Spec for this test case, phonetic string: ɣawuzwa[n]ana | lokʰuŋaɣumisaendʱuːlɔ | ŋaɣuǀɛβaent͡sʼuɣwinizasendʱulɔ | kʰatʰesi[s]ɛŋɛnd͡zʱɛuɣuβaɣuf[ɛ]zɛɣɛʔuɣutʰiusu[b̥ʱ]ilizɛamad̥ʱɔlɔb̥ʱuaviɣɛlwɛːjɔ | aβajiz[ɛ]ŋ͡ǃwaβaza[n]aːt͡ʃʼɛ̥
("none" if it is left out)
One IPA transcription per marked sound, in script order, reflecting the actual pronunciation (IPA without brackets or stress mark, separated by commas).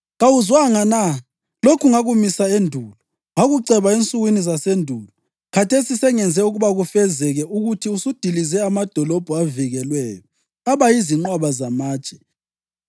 ŋ, s, ɛ, d̥ʱ, i, m